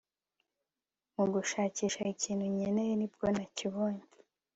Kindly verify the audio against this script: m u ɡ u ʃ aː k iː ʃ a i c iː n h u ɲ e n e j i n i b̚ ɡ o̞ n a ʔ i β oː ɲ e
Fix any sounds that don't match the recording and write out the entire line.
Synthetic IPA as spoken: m u ɡ u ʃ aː c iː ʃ a i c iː n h u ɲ e n e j e n i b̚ ɡ o̞ n a c i β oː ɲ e